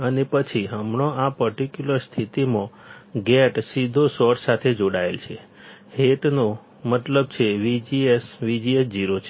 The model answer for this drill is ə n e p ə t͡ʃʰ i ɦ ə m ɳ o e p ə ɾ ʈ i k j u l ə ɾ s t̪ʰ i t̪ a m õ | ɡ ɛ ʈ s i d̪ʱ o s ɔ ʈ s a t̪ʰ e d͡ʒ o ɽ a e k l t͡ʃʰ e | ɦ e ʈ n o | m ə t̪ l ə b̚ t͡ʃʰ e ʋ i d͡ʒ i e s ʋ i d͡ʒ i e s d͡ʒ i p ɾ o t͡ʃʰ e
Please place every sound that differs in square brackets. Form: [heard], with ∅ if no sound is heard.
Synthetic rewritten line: ə n e p ə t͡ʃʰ i ɦ ə m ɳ o [a] p ə ɾ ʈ i k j u l ə ɾ s t̪ʰ i t̪ [i] m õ | ɡ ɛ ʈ s i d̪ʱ o s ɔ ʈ s a t̪ʰ e d͡ʒ o ɽ a e [∅] l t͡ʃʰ e | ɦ e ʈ n o | m ə t̪ l ə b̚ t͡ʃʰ e ʋ i d͡ʒ i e s ʋ i d͡ʒ i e s d͡ʒ i [∅] ɾ o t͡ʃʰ e